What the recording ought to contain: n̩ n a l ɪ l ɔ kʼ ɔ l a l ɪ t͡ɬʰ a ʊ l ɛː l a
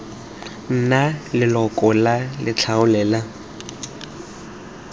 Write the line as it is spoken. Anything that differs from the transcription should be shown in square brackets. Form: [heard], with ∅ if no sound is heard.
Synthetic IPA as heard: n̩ n a l ɪ l ɔ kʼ ɔ l a l ɪ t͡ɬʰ a ʊ l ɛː l a